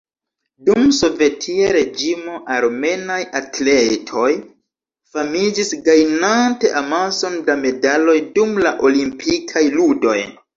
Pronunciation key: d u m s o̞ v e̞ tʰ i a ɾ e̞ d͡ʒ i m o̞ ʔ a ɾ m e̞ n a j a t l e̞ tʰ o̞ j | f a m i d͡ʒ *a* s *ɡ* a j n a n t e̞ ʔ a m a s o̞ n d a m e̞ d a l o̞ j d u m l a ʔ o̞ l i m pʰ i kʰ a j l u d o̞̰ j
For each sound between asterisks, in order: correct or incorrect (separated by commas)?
incorrect, correct